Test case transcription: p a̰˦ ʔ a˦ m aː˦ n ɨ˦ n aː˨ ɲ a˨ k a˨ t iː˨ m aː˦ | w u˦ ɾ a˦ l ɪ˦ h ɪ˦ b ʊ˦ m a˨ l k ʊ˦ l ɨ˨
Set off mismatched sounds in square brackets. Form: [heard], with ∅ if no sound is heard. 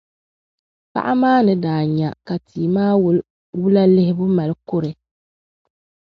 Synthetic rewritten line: p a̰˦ ʔ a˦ m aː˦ n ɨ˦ [d] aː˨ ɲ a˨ k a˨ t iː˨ m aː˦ | w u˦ [l] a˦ l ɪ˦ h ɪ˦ b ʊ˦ m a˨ l k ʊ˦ [ɾ] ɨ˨